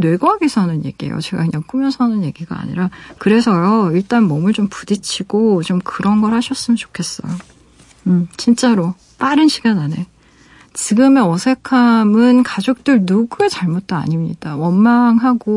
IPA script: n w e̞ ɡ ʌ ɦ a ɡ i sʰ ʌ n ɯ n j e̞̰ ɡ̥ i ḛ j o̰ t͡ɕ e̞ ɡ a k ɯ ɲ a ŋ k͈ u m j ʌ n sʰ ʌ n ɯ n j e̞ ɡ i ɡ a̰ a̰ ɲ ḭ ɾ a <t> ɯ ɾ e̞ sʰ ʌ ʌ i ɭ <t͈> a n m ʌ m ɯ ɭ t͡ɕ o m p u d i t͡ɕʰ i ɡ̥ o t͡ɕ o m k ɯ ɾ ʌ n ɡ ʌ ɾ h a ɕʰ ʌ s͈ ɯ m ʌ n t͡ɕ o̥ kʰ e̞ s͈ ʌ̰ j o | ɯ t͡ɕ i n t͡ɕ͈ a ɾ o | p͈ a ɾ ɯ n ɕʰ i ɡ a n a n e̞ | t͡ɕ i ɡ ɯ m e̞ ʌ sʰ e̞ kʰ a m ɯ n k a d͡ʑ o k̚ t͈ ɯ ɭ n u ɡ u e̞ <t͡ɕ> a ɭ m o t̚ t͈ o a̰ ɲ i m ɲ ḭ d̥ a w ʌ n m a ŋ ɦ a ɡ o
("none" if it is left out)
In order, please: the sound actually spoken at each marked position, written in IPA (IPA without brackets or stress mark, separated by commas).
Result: k, t͈, t͡ɕ